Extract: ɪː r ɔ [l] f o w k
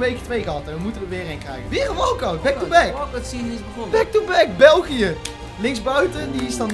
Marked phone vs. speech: incorrect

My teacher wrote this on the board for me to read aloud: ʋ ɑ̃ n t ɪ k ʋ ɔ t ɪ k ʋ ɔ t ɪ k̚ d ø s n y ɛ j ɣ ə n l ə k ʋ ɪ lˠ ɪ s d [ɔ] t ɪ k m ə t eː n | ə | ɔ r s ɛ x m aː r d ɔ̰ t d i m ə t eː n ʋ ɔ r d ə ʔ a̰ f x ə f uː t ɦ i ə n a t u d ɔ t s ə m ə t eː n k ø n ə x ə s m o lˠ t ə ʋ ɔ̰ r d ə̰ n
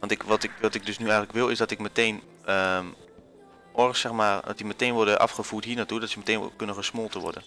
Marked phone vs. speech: correct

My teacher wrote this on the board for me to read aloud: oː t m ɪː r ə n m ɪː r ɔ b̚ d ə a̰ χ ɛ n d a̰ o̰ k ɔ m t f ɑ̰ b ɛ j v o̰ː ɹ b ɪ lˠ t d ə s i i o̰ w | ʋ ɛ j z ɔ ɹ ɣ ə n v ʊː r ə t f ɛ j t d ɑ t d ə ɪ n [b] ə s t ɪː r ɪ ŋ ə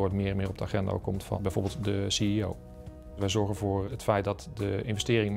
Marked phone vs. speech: incorrect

